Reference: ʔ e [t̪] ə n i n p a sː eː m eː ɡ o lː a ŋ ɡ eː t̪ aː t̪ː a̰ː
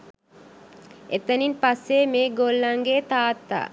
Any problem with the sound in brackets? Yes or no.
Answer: no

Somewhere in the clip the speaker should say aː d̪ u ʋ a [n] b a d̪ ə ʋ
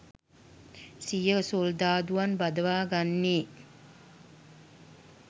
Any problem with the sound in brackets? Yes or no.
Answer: no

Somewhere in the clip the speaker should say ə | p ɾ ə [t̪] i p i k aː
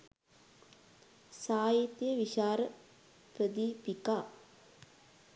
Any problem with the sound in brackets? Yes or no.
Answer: yes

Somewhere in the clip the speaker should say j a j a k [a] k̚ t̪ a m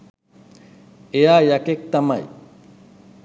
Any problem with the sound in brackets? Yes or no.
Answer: yes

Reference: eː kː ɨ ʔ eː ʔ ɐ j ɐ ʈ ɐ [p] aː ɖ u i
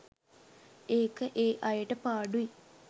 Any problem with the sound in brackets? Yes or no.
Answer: no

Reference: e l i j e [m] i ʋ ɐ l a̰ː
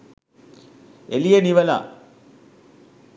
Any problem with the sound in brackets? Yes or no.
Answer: yes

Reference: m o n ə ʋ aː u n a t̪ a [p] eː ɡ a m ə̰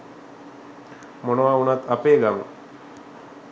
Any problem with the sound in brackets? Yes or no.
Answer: no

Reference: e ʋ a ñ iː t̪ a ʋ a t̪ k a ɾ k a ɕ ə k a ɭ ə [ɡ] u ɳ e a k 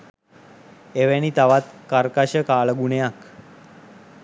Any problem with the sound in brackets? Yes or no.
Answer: no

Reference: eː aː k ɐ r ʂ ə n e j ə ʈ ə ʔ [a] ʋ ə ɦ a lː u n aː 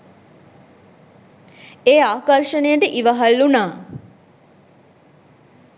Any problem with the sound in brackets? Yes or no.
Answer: yes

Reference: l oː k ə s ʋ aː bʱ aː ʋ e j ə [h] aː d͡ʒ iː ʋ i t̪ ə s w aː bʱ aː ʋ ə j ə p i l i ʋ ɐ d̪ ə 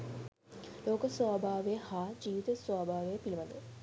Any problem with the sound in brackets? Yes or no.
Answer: no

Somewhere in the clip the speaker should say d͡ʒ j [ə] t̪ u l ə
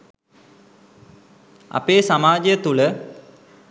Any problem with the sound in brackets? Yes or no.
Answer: no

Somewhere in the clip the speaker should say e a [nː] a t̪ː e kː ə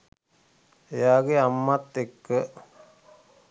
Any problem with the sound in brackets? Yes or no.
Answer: yes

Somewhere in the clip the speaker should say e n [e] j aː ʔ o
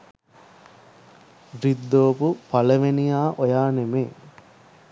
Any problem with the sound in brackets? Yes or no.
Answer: yes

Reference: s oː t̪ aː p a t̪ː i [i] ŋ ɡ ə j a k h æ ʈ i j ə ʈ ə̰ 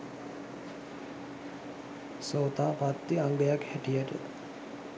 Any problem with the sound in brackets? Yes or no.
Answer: yes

